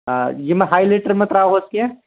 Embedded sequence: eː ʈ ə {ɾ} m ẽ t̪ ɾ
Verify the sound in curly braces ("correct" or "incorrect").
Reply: correct